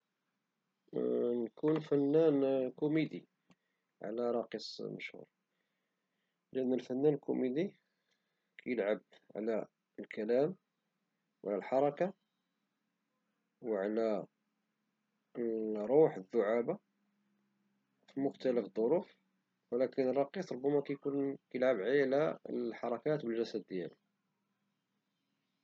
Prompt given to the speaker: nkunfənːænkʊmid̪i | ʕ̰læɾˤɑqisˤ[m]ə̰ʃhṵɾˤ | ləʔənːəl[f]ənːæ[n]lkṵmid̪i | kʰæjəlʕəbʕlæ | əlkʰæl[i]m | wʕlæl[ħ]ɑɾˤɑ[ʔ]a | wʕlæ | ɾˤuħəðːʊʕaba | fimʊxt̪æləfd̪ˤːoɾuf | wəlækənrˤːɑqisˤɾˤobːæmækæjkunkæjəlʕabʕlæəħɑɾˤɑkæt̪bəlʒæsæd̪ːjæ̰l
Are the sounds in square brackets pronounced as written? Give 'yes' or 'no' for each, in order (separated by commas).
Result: yes, yes, yes, no, yes, no